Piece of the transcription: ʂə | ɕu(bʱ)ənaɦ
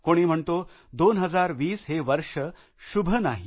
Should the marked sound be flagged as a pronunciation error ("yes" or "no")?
no